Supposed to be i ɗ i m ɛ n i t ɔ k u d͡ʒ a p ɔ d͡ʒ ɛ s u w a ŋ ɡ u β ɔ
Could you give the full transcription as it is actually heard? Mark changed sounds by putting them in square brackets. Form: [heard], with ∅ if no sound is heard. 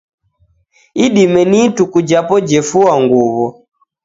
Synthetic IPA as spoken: i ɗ i m ɛ n i t [u] k u d͡ʒ a p ɔ d͡ʒ ɛ [f] u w a ŋ ɡ u β ɔ